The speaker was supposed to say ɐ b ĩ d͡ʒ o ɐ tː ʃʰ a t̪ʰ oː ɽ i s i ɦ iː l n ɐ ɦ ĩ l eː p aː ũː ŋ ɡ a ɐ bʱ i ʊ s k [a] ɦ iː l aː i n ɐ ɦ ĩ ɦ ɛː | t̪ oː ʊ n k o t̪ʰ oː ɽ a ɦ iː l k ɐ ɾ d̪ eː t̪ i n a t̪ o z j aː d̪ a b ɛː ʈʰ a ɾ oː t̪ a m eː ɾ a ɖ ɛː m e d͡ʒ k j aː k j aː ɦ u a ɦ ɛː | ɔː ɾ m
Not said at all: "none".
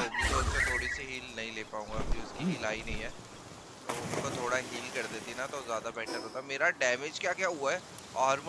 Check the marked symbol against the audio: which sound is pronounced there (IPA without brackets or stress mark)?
i